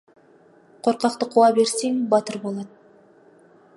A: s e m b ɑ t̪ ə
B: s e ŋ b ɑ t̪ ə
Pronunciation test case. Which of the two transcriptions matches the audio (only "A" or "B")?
B